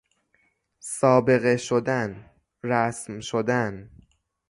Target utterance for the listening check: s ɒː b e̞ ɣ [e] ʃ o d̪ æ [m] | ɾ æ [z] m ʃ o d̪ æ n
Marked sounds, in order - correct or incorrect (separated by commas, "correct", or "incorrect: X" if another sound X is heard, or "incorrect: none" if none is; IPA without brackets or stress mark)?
correct, incorrect: n, incorrect: s